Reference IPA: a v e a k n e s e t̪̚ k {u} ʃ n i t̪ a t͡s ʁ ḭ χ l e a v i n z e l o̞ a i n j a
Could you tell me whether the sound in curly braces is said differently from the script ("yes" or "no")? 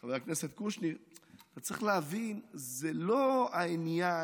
no